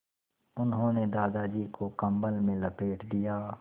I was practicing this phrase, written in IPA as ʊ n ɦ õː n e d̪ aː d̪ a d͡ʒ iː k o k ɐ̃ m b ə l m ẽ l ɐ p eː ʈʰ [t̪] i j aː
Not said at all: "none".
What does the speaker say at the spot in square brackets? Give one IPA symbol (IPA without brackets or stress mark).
d̪